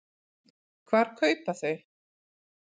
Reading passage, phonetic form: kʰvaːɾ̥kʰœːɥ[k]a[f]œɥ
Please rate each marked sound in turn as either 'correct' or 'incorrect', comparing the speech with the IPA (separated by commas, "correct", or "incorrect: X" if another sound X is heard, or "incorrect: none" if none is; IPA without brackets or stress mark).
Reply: incorrect: p, incorrect: θ